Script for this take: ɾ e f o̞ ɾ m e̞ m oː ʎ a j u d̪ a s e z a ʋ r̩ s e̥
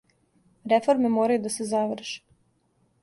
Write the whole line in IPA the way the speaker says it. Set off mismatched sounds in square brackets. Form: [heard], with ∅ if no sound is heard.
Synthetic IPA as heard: ɾ e f o̞ ɾ m e̞ m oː [ɾ] a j u d̪ a s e z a ʋ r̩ [ʃ] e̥